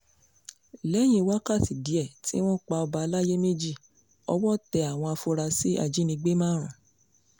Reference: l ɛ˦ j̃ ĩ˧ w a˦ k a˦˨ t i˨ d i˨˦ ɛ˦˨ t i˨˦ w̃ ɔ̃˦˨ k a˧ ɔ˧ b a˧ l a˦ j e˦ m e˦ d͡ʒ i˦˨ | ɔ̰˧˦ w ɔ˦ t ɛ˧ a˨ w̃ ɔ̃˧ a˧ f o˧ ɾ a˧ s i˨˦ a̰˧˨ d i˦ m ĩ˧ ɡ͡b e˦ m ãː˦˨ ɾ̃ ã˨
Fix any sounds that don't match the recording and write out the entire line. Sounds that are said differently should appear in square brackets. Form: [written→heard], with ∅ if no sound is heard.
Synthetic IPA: l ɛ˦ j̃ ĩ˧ w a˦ k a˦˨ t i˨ d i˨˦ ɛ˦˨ t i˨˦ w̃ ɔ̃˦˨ [k→k͡p] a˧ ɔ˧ b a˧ l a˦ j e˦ m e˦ d͡ʒ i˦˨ | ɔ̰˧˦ w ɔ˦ t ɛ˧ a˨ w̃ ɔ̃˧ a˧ f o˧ ɾ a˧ s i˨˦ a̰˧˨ [d→d͡ʒ] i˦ [m→n] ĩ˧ ɡ͡b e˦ m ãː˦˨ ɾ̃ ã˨